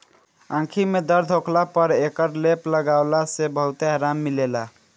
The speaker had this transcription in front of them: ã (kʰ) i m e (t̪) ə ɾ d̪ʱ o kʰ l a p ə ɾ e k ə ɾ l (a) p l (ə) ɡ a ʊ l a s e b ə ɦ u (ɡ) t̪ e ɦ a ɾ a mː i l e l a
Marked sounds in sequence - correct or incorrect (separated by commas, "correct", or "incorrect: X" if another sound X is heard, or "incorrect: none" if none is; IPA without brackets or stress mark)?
correct, incorrect: d̪, incorrect: e, correct, incorrect: none